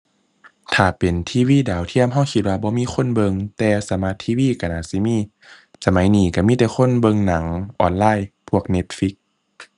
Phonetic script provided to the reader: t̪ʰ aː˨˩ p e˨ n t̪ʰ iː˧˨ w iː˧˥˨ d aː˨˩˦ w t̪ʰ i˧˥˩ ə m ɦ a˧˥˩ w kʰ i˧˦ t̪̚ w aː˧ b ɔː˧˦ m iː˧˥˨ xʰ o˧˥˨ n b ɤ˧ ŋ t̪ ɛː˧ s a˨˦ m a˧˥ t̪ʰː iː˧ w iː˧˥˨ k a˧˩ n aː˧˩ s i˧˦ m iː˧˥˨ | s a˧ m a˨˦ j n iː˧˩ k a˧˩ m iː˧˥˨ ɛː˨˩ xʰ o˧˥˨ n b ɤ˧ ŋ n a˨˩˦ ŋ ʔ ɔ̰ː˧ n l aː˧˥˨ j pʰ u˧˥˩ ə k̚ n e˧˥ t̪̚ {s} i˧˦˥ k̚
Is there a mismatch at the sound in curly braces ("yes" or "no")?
yes